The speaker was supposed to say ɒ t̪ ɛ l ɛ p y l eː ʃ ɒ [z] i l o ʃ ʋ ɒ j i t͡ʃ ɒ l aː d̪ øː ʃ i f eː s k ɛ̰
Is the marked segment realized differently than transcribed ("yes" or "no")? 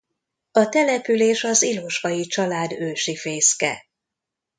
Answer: no